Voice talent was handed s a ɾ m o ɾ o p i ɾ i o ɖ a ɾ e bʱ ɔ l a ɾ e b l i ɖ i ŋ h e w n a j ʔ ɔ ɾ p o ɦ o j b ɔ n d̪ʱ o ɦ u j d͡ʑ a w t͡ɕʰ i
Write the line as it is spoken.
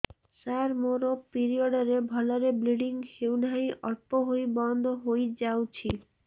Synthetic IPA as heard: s a ɾ m o ɾ o p i ɾ i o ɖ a ɾ e bʱ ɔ l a ɾ e b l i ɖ i ŋ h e w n a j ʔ ɔ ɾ p o ɦ o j b ɔ n d̪ʱ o ɦ o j d͡ʑ a w t͡ɕʰ i